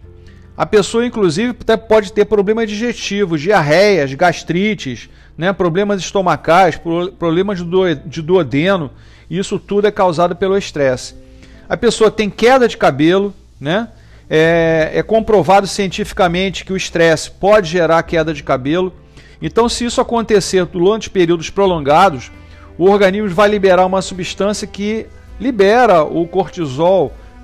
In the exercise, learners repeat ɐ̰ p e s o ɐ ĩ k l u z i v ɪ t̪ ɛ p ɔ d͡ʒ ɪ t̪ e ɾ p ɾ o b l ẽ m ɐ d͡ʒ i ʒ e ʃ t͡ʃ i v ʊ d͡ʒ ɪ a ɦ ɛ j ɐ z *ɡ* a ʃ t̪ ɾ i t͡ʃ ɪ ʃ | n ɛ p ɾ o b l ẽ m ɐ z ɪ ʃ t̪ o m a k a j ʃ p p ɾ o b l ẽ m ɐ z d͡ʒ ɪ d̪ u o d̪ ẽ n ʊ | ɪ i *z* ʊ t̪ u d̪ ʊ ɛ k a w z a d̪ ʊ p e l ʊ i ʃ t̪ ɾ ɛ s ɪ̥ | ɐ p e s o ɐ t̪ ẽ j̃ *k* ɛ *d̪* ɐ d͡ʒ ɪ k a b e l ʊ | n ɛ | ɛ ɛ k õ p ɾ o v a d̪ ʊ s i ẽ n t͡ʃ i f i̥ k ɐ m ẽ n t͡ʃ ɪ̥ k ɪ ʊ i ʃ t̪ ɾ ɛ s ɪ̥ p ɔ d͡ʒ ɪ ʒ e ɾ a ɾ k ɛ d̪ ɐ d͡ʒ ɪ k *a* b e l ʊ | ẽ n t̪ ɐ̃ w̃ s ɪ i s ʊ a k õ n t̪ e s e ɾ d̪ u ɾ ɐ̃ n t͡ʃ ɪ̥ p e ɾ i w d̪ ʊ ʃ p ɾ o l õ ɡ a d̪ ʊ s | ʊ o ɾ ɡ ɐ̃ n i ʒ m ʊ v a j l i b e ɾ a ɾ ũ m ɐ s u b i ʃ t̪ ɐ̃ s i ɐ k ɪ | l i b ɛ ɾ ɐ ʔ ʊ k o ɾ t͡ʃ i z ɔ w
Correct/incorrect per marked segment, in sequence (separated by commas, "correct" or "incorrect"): correct, incorrect, correct, correct, correct